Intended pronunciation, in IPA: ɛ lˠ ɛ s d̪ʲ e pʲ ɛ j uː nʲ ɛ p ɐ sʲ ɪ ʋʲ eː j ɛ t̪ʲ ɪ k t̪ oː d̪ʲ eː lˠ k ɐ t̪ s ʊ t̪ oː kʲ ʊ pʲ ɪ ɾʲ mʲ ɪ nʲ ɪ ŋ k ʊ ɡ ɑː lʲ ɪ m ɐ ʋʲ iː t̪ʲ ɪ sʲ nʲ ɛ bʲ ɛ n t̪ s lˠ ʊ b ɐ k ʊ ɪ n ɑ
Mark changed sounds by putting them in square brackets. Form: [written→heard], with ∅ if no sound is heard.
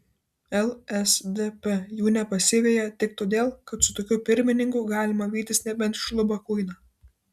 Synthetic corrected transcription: ɛ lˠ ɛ s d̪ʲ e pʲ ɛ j uː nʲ ɛ p ɐ sʲ ɪ ʋʲ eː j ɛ t̪ʲ ɪ k t̪ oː d̪ʲ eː lˠ k ɐ t̪ s ʊ t̪ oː kʲ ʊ pʲ ɪ ɾʲ mʲ ɪ nʲ ɪ ŋ k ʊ ɡ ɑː lʲ ɪ m ɐ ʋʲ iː t̪ʲ ɪ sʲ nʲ ɛ bʲ ɛ n t̪ [s→ʃ] lˠ ʊ b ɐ k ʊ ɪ n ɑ